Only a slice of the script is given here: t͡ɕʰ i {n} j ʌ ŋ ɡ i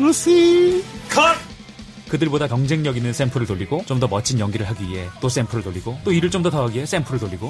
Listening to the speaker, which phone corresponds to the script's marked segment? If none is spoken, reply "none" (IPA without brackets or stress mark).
n